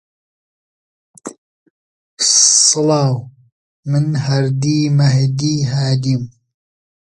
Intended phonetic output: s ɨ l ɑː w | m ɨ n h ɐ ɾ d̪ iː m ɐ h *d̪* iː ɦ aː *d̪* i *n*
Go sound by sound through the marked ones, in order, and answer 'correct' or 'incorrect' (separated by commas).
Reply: correct, correct, incorrect